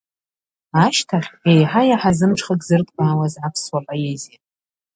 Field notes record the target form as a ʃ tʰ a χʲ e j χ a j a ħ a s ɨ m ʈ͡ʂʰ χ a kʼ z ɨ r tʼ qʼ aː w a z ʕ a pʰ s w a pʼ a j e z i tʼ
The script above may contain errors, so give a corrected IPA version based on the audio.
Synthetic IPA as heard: a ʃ tʰ a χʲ e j ħ a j a ħ a z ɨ m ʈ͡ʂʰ χ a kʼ z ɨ r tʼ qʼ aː w a z ʕ a pʰ s w a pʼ a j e z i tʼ